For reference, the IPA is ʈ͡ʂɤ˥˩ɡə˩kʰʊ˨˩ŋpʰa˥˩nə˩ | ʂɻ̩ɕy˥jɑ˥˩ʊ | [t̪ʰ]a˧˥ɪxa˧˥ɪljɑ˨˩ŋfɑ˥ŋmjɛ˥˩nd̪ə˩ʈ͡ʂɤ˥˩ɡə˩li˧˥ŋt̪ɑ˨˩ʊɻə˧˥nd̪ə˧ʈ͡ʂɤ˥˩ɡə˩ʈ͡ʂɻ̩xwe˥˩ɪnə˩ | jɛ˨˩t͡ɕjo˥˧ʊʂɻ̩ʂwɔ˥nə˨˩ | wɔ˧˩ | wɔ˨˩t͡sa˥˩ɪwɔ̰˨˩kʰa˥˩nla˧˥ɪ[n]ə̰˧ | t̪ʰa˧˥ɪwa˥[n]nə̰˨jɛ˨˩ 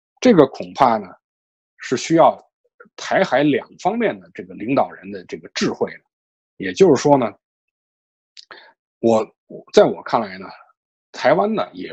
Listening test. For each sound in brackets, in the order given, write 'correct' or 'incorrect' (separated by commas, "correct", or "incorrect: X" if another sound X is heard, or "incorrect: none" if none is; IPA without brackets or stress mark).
correct, correct, correct